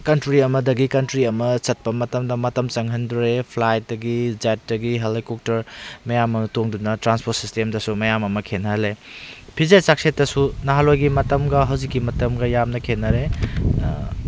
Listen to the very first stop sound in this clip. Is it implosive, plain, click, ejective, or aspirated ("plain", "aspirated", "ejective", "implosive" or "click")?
plain